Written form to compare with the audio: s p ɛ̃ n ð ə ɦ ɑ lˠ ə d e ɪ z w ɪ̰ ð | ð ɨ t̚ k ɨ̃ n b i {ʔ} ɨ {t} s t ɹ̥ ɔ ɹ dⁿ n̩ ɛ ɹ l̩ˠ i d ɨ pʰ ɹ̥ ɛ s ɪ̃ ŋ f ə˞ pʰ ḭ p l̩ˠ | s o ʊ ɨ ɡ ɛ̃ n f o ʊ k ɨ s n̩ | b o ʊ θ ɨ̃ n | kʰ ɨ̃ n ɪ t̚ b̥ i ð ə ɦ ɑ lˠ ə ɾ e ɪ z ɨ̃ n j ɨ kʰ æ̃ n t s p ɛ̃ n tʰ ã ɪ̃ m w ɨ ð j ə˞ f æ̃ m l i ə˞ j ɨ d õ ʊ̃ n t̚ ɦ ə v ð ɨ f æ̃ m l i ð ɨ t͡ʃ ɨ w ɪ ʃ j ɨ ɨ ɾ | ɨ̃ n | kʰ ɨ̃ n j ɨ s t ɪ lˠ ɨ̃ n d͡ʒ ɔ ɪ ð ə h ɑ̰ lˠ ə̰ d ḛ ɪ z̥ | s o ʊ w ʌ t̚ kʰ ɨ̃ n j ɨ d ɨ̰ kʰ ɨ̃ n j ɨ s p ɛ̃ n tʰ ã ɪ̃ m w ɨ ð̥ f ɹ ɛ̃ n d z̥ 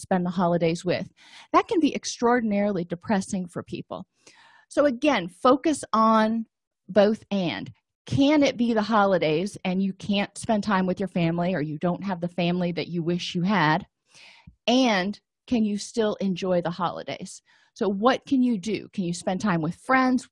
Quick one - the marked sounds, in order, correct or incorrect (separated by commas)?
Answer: correct, incorrect